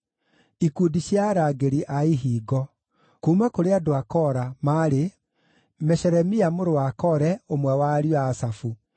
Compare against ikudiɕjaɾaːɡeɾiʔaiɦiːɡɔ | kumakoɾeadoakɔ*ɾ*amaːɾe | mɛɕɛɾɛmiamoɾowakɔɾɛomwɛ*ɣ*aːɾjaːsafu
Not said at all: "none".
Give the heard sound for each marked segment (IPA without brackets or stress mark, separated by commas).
ɾ, w